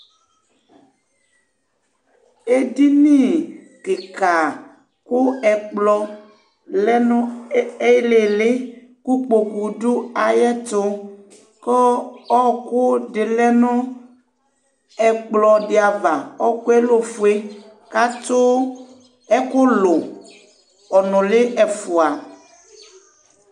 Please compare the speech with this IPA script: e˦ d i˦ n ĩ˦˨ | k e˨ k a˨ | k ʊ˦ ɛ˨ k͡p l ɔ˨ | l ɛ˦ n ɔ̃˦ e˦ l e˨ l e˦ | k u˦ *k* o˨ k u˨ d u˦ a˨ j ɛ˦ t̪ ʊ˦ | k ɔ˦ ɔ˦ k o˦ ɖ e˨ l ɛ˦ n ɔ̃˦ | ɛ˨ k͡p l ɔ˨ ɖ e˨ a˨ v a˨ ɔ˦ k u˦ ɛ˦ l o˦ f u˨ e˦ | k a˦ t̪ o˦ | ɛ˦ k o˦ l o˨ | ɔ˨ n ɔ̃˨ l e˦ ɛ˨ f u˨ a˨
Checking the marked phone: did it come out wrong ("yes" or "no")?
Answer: yes